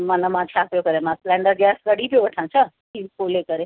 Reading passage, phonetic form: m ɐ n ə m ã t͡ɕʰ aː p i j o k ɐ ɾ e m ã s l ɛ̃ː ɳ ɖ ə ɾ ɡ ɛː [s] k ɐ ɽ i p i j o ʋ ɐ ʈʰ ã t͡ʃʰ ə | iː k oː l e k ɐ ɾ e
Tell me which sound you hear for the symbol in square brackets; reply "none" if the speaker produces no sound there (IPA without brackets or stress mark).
s